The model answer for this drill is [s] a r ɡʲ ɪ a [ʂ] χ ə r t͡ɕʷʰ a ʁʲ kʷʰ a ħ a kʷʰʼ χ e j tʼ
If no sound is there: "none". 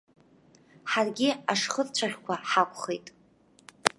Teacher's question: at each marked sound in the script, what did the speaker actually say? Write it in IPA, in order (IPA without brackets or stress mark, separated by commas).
ħ, ʂ